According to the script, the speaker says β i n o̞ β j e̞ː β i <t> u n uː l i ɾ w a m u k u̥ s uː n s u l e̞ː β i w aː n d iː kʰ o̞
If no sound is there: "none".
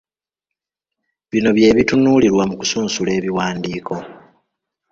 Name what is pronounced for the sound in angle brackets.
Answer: t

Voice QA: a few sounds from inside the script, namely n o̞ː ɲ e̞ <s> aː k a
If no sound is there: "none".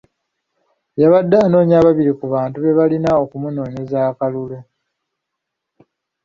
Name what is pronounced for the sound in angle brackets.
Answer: z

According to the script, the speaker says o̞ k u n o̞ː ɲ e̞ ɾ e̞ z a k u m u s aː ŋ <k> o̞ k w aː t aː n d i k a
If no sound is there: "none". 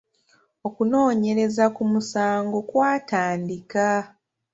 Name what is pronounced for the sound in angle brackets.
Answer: ɡ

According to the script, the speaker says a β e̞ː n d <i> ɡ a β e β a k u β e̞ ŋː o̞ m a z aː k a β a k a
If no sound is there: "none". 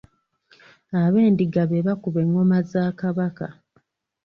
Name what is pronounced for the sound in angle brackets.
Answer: i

